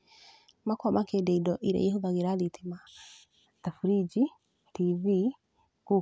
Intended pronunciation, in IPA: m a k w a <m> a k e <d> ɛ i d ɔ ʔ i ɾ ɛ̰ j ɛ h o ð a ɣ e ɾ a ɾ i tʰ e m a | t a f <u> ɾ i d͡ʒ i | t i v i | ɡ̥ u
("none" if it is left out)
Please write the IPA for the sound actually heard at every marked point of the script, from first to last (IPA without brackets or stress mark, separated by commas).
m, d, u